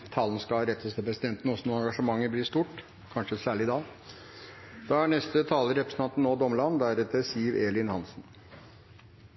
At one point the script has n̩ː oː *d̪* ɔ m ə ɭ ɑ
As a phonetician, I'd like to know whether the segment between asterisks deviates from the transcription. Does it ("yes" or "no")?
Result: no